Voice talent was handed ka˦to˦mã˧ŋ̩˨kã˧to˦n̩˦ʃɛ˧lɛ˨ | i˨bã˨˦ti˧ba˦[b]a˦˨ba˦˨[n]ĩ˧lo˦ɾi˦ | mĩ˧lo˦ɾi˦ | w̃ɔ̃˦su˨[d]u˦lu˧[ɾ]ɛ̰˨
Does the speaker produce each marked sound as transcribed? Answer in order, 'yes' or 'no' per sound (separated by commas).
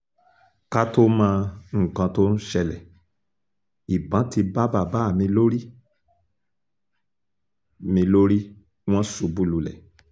yes, no, no, no